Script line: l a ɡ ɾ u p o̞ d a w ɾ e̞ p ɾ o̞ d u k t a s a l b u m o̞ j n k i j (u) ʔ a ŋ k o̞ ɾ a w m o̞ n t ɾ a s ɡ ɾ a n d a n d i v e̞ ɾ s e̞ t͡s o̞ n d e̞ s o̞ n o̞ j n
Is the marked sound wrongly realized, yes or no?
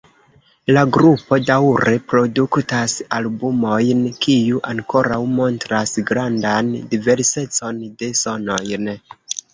no